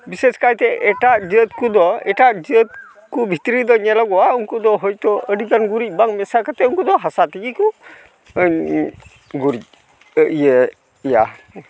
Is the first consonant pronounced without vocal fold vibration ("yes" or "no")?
no